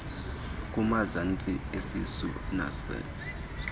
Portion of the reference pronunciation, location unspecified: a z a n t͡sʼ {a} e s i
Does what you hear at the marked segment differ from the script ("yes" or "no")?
yes